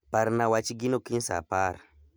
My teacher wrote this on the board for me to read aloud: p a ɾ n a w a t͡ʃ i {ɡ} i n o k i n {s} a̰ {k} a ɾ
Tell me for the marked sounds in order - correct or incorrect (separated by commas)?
correct, correct, incorrect